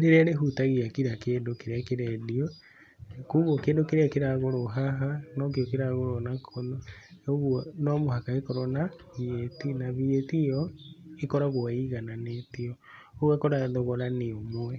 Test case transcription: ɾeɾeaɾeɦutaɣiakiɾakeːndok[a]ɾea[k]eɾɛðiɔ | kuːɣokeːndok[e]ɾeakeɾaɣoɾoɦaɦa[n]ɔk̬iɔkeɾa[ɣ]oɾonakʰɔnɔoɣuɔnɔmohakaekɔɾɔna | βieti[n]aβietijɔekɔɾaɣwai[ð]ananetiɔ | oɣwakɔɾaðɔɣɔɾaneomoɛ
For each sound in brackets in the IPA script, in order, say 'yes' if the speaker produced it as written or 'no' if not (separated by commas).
no, yes, yes, yes, yes, yes, no